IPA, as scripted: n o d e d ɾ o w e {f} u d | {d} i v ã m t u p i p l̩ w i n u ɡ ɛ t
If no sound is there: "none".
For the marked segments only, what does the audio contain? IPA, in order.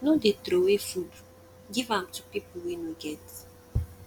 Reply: f, ɡ

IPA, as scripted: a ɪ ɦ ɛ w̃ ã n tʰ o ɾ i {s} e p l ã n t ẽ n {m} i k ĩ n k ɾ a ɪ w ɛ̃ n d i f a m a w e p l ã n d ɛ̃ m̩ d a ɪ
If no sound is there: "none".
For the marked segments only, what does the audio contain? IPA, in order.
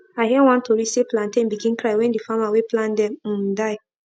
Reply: s, b

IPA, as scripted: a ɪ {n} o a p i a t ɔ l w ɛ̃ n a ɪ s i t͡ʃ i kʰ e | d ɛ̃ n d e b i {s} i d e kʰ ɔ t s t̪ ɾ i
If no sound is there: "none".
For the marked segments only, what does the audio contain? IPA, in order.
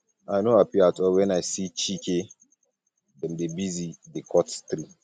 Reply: n, z

